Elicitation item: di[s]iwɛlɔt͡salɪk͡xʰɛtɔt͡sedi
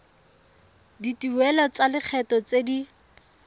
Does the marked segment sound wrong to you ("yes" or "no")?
yes